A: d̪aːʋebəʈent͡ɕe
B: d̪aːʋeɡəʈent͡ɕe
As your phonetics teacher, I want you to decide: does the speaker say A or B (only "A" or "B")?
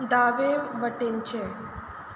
A